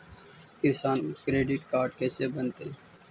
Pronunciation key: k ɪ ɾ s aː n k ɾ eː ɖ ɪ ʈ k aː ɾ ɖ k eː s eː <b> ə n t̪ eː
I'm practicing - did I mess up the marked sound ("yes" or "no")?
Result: no